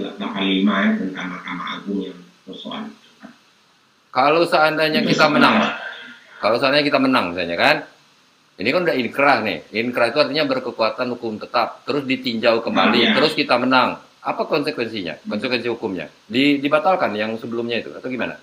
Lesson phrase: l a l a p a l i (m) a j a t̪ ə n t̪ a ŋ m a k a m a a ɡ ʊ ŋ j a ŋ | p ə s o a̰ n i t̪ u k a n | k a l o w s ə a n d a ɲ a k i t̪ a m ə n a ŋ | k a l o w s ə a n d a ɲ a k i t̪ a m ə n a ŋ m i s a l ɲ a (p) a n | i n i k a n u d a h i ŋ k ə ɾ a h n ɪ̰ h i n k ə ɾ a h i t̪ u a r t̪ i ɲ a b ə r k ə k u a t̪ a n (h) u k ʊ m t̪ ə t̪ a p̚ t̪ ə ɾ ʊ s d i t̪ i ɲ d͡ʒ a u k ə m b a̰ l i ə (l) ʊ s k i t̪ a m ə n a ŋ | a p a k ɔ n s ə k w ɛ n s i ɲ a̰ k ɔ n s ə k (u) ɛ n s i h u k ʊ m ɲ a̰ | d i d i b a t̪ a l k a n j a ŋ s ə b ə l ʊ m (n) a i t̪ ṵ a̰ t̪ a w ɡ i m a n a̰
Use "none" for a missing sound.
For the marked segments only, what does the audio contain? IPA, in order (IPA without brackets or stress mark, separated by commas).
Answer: m, k, h, ɾ, w, ɲ